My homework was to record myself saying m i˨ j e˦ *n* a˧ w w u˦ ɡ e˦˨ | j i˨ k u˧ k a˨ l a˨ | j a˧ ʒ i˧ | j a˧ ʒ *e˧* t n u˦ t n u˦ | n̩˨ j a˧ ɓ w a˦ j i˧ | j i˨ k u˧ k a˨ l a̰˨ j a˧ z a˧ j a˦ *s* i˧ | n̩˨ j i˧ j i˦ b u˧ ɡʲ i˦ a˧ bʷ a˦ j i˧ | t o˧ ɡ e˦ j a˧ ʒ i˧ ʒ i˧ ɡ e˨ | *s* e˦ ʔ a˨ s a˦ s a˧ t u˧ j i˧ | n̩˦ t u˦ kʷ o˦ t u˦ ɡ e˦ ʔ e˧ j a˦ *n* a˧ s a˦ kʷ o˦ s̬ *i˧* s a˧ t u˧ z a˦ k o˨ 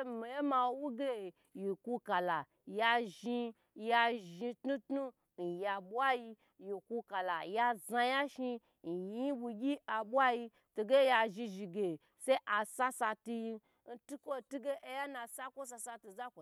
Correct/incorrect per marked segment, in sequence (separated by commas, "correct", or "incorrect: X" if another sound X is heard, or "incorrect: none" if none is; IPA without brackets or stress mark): incorrect: m, incorrect: i˧, incorrect: ʃ, correct, correct, incorrect: a˧